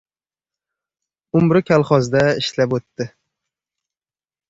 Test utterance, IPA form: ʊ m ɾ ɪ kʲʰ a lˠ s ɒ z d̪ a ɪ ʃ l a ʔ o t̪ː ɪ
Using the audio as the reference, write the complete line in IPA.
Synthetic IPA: ʊ m ɾ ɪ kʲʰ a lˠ χ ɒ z d̪ a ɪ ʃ l a p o t̪ː ɪ